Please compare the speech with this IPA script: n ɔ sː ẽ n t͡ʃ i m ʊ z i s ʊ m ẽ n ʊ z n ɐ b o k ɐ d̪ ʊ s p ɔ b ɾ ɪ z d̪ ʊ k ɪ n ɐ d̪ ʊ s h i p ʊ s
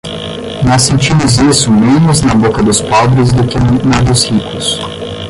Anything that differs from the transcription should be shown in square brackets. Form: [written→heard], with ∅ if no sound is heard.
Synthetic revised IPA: n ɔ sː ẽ n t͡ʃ i m ʊ z i s ʊ m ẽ n ʊ z n ɐ b o k ɐ d̪ ʊ s p ɔ b ɾ ɪ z d̪ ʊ k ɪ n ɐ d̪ ʊ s h i [p→k] ʊ s